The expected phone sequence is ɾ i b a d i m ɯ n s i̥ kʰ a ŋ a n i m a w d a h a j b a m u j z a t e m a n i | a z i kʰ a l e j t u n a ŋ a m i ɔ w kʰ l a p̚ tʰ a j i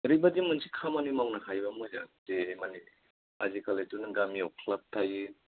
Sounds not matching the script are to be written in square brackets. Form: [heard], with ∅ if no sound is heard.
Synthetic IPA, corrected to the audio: ɾ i b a d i m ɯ n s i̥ kʰ a [m] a n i m a w [n] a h a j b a m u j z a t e m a n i | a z i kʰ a l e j t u n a [ɡ] a m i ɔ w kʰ l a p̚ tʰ a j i